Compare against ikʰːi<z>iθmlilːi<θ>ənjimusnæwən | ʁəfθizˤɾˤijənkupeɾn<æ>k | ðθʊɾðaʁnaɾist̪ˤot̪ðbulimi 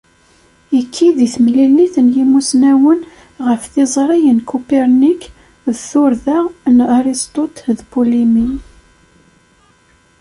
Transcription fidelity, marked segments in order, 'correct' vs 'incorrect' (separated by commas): incorrect, correct, incorrect